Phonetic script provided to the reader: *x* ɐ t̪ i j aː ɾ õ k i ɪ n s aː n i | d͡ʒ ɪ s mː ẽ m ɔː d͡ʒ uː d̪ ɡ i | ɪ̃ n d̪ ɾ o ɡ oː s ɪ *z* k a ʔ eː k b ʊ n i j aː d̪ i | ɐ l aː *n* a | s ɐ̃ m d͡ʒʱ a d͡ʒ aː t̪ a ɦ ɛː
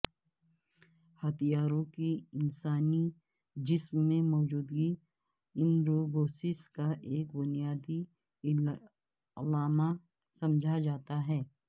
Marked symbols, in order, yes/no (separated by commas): no, no, no